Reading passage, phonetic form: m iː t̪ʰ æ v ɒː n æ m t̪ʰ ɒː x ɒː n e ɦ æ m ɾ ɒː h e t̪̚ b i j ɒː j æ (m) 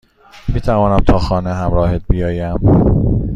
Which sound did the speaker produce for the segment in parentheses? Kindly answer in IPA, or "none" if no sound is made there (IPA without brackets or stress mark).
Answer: m